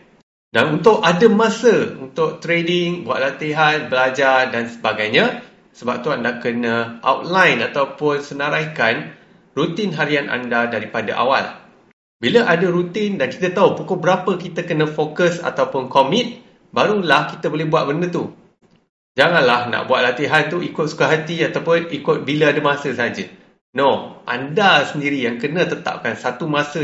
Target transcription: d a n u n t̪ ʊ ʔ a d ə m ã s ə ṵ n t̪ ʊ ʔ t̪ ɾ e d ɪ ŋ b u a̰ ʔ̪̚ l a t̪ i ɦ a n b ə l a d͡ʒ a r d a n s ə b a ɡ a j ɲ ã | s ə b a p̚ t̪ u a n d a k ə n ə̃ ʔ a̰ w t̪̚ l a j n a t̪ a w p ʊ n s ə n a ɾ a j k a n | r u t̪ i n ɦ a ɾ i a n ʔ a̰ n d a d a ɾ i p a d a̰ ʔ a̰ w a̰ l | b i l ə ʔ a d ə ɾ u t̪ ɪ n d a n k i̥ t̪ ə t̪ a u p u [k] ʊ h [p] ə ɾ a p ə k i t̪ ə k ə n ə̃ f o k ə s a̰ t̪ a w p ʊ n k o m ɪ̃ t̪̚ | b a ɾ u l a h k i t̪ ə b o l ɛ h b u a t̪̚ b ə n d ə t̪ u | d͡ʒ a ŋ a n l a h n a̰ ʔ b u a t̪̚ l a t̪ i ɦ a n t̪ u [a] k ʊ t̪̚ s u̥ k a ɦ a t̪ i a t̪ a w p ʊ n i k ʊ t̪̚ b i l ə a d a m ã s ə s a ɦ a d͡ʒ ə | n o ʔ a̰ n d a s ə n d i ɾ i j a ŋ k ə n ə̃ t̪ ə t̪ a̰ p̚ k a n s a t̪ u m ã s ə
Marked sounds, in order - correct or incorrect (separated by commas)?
correct, incorrect, incorrect